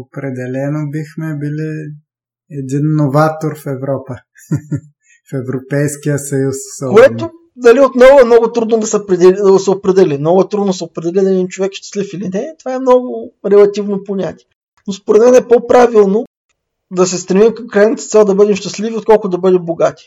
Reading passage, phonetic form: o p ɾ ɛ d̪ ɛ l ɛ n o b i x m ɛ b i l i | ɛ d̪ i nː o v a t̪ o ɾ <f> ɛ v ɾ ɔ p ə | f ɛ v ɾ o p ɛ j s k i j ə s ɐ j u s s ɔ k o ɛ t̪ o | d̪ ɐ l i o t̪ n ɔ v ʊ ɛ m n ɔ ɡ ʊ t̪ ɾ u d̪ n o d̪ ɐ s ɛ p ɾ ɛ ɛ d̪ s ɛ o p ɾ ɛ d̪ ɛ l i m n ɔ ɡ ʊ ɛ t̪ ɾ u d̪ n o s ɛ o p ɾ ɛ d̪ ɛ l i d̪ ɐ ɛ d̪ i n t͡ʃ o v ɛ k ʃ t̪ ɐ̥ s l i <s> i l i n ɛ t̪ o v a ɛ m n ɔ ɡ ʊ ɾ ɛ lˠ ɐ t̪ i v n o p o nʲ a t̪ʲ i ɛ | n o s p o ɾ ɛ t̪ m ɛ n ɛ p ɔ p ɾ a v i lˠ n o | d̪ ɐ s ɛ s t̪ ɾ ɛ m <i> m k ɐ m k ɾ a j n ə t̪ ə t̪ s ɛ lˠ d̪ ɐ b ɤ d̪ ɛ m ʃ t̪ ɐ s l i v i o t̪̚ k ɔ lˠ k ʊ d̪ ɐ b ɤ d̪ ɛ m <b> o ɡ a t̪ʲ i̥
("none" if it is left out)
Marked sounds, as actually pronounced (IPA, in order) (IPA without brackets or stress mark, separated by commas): f, f, i, b